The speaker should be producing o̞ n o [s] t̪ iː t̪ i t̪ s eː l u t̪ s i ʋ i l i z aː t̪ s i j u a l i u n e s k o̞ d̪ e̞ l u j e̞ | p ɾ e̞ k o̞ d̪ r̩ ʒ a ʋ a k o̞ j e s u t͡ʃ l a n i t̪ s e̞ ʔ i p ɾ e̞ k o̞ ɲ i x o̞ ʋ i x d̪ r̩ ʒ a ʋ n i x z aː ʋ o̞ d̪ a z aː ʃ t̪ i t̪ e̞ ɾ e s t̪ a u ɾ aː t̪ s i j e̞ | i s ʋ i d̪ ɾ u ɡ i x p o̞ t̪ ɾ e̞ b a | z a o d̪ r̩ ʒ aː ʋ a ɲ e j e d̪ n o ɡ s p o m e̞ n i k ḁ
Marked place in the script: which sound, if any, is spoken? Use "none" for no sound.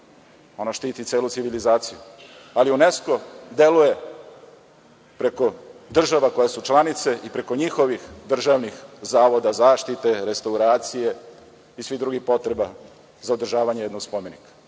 ʃ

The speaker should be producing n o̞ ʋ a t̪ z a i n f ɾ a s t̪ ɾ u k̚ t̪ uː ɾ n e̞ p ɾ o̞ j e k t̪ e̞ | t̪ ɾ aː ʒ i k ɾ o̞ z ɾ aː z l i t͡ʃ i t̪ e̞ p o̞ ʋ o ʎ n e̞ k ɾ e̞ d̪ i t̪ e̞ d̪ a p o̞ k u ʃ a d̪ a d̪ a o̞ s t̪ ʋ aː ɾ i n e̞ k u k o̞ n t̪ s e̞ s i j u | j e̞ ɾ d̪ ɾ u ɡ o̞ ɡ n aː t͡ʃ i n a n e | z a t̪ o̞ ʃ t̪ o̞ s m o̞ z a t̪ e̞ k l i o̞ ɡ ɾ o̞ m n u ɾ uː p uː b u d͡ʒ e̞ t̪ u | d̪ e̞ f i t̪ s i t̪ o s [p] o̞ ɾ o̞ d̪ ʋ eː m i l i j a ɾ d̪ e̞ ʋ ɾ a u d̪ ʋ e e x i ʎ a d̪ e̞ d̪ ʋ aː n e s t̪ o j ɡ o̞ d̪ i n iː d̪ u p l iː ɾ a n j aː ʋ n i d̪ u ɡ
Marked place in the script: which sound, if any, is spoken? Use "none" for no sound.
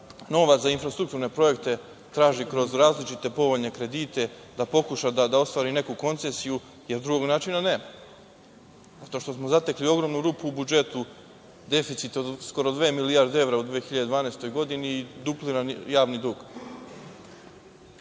k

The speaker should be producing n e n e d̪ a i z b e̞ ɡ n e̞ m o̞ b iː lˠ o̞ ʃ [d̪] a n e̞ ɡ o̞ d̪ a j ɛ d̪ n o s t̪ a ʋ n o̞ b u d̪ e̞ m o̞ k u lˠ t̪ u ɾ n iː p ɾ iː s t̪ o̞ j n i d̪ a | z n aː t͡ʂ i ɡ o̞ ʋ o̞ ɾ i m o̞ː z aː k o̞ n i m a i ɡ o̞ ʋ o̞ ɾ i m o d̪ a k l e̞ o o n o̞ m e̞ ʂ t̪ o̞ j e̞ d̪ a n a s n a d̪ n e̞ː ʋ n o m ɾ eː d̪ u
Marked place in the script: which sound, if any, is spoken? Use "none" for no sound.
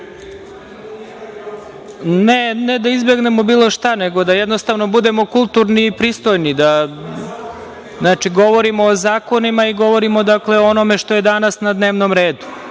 t̪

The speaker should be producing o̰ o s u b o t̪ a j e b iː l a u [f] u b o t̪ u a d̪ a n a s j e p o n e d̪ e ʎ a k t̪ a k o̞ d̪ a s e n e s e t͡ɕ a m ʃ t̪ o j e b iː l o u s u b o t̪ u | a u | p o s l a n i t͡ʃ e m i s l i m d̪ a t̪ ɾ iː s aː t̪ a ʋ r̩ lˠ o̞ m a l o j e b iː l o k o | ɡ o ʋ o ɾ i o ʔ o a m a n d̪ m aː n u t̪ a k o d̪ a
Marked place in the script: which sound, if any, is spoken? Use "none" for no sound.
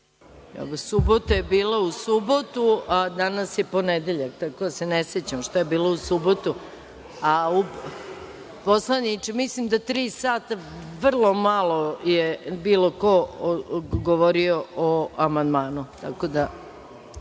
s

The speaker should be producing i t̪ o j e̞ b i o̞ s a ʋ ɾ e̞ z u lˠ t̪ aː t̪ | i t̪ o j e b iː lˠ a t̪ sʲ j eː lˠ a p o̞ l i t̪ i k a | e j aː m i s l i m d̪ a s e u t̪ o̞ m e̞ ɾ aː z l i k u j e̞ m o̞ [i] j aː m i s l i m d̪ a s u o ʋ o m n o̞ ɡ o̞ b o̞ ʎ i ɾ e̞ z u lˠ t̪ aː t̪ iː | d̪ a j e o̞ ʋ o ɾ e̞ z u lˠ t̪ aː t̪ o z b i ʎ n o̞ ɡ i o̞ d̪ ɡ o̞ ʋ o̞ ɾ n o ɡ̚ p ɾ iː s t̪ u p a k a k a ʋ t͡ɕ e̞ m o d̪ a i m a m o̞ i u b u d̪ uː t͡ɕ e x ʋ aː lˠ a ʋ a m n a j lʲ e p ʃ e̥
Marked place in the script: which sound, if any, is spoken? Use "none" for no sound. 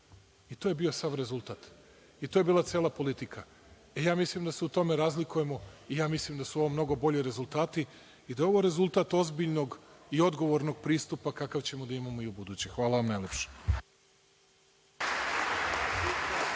i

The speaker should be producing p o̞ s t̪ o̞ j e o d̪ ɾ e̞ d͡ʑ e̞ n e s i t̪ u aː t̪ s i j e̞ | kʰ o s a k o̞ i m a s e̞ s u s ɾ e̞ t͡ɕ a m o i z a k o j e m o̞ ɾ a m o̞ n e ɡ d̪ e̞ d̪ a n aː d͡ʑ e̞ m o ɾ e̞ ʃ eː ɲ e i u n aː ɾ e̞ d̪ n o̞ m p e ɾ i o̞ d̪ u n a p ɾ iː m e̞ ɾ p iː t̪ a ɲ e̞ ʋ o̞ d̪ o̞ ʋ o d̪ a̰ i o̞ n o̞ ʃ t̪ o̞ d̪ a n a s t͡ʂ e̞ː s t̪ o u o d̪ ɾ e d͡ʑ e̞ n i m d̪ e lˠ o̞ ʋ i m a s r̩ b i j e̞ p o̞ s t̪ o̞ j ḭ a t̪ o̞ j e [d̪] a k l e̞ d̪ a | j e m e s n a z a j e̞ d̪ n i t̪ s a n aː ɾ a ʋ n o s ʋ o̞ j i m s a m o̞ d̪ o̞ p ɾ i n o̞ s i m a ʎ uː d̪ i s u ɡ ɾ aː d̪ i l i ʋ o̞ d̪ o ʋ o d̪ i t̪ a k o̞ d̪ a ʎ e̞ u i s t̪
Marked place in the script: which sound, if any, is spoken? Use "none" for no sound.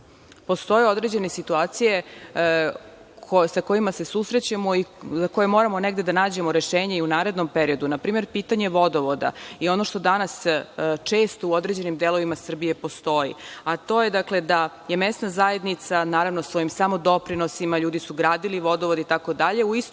d̪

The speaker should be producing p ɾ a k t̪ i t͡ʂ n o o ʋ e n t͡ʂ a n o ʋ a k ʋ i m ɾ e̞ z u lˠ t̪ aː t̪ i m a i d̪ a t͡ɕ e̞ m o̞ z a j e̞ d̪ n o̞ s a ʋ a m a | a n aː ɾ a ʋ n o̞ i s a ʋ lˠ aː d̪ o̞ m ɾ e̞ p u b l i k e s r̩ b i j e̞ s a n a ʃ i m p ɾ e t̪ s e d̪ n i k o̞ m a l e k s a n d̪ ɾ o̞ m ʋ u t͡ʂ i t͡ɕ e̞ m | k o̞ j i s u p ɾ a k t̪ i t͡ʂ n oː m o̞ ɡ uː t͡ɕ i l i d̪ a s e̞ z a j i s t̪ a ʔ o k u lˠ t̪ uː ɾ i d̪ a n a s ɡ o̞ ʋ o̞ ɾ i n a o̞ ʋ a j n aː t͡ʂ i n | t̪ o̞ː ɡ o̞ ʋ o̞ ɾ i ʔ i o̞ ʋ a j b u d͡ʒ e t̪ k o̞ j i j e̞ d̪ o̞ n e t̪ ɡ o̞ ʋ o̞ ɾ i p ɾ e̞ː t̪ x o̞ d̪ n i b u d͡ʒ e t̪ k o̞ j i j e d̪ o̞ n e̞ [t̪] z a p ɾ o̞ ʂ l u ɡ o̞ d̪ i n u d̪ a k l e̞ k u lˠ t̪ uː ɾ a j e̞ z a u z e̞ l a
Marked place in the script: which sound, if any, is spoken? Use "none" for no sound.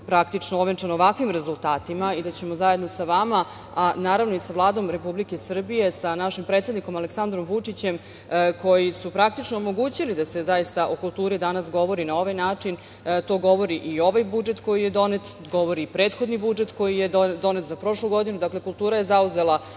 t̪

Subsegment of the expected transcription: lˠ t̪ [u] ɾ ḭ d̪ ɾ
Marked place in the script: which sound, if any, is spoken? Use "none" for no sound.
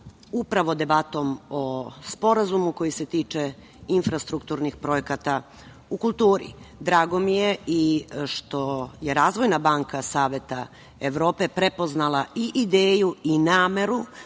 uː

